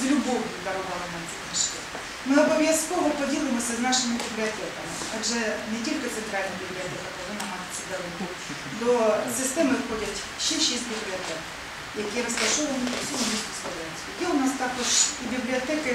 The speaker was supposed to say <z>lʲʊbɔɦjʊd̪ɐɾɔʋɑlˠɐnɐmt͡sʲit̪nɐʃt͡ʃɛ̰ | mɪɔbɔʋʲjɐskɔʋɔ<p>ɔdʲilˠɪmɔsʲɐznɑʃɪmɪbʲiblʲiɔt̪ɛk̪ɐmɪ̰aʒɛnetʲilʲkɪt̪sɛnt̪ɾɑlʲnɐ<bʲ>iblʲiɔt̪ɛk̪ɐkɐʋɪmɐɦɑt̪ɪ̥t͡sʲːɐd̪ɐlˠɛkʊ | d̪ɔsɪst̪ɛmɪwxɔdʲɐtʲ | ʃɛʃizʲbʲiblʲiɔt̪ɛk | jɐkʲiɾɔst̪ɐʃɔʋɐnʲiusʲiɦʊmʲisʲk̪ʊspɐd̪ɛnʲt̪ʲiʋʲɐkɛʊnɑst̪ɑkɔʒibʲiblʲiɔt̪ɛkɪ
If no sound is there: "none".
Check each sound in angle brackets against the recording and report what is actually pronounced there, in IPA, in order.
z, p, bʲ

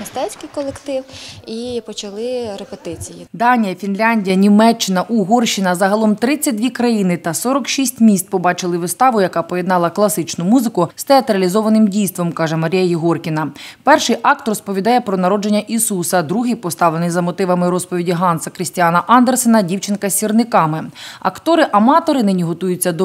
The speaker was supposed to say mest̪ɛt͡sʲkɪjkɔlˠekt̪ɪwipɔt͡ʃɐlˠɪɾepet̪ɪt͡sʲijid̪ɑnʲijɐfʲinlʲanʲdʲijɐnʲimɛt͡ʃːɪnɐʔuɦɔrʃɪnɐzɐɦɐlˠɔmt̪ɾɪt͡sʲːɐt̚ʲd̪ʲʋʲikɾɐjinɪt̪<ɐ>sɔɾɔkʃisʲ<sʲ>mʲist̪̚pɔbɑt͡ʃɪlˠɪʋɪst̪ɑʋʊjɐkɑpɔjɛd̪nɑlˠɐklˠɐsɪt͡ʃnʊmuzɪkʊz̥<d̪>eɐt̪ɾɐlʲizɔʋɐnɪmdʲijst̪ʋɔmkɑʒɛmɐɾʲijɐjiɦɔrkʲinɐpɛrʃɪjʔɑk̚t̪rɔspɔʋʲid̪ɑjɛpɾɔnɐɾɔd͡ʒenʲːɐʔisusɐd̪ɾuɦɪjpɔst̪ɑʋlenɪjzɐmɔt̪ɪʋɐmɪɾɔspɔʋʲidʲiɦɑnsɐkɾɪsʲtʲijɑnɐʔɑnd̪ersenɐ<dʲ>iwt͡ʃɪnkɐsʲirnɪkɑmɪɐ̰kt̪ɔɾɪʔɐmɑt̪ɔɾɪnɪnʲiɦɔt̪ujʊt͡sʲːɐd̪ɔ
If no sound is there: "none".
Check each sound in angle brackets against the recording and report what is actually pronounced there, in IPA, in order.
ɐ, tʲ, t̪, dʲ

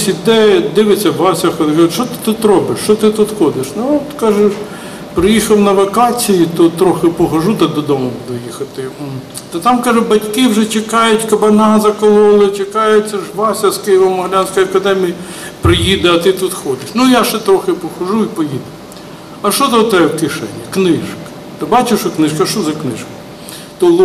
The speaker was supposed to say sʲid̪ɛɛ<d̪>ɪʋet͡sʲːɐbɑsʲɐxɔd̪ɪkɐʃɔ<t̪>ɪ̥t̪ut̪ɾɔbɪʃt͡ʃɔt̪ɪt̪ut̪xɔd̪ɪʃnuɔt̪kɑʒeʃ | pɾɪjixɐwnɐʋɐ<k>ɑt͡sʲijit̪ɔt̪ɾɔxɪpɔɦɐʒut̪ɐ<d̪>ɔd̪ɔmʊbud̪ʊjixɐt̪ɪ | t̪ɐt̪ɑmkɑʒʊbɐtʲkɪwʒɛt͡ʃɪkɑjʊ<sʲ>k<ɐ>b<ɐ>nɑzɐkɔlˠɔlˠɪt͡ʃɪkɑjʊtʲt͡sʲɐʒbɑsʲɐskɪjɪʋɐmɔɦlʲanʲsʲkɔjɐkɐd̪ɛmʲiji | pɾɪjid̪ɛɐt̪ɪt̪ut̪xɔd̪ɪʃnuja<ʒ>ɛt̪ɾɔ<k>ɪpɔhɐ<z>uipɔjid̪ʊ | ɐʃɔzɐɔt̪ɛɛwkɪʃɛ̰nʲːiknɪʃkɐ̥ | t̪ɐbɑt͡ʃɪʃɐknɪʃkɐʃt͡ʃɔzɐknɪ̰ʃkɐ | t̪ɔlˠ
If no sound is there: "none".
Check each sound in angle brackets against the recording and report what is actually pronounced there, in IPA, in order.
d̪, t̪, k, d̪, tʲ, ɐ, ɐ, ʃ, x, ʒ

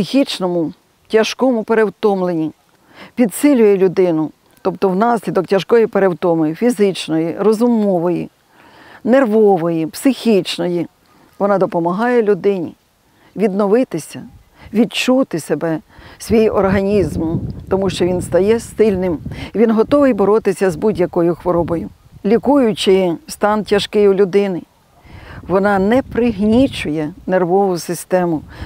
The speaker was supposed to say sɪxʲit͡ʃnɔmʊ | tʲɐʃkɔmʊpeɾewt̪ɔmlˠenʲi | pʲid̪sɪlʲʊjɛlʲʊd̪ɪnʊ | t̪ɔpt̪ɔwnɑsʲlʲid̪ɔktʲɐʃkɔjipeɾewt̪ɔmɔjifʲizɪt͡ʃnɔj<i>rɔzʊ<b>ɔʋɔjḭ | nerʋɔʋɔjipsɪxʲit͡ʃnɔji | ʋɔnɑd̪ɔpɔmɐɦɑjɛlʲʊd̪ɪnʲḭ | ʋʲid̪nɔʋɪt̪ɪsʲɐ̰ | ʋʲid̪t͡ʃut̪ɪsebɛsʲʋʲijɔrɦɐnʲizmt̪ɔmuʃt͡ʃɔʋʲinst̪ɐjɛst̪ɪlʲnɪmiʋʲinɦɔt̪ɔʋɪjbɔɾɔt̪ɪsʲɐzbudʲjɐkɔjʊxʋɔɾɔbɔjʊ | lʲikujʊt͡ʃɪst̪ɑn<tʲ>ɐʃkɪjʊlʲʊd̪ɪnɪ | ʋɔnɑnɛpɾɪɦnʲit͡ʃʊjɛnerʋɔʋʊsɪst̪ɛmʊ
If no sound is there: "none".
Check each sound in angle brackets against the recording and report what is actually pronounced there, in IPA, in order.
i, m, tʲ

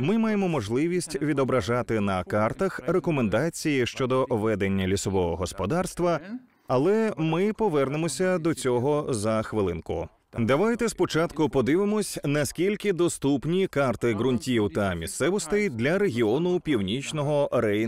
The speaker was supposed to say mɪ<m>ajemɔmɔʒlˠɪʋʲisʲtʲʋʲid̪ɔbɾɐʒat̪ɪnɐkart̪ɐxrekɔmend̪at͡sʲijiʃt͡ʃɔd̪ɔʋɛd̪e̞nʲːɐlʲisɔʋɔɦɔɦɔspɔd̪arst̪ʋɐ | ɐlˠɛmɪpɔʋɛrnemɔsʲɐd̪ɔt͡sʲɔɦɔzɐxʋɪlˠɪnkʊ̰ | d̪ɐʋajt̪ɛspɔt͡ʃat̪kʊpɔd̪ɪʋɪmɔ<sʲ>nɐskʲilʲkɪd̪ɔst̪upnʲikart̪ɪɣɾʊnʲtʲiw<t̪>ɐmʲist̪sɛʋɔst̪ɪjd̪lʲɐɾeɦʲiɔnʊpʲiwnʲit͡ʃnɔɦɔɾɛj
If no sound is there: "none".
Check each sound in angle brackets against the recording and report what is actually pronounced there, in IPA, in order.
m, sʲ, t̪

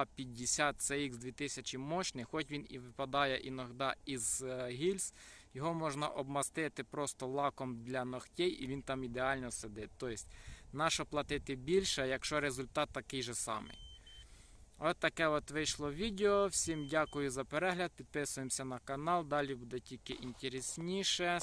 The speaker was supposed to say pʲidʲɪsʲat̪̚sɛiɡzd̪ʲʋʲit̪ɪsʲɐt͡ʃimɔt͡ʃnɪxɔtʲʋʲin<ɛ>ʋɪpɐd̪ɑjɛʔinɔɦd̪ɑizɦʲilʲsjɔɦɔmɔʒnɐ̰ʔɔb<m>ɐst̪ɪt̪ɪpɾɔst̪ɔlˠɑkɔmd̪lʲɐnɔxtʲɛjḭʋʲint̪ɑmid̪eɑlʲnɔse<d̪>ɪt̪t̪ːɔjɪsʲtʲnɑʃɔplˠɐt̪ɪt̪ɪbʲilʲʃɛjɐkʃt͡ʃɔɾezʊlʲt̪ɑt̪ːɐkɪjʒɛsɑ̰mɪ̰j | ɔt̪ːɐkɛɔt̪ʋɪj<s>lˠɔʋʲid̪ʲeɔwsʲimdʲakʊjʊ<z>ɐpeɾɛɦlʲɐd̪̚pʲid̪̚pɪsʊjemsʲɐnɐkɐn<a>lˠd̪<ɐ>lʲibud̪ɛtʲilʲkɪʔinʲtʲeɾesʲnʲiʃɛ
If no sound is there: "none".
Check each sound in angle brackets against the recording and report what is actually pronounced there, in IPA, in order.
i, m, d̪, ʃ, z, ɑ, ɑ

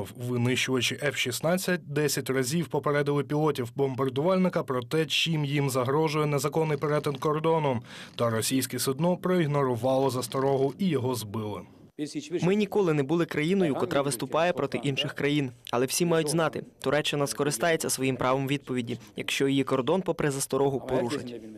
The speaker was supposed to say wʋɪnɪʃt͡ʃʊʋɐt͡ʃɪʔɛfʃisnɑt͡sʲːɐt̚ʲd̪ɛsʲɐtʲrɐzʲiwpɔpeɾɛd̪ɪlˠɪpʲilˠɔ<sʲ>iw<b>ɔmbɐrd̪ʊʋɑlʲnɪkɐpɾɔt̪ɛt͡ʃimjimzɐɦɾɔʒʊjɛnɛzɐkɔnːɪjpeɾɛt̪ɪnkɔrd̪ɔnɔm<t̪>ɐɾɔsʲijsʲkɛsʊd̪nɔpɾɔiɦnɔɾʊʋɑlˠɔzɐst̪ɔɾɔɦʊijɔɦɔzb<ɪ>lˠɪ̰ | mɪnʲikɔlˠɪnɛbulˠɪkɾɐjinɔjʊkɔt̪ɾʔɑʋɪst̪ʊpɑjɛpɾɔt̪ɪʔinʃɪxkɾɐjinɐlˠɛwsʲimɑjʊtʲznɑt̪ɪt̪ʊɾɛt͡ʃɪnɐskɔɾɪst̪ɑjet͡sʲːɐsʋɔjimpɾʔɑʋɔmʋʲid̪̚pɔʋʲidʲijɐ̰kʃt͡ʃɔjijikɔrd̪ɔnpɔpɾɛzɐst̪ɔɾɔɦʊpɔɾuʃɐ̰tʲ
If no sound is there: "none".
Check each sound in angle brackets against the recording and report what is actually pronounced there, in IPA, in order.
tʲ, b, t̪, ɪ

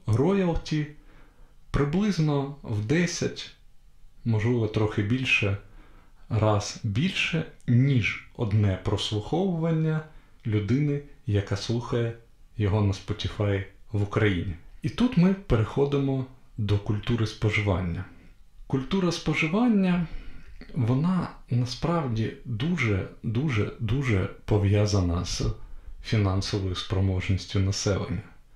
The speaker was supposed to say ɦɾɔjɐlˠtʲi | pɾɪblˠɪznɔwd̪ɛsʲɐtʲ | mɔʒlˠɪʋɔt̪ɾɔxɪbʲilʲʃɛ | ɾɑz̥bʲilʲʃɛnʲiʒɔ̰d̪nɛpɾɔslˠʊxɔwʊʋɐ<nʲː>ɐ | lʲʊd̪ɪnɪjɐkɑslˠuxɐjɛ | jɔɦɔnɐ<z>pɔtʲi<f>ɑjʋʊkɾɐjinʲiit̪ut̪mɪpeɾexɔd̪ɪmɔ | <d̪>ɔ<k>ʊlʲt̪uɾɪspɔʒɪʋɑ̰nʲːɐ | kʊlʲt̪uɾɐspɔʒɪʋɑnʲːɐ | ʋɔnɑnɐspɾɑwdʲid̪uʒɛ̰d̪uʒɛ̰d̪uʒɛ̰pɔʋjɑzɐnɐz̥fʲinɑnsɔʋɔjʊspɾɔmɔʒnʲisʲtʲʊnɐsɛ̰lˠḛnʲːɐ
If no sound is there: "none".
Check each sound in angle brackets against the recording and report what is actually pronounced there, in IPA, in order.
nʲː, s, f, d̪, k

